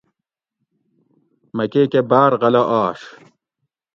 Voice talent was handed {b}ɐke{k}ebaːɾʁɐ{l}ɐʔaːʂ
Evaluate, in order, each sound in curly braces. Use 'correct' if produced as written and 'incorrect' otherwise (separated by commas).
incorrect, correct, correct